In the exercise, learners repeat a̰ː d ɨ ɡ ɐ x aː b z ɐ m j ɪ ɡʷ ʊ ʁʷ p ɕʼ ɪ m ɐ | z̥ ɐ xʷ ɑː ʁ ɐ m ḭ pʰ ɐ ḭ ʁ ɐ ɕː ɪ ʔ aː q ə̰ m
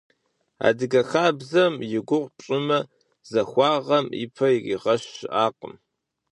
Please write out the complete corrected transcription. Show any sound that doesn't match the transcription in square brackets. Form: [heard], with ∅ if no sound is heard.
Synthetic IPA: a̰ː d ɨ ɡ ɐ x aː b z ɐ m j ɪ ɡʷ ʊ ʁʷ p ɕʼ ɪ m ɐ | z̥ ɐ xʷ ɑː ʁ ɐ m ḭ pʰ ɐ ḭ ʁ ɐ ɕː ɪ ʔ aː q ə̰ m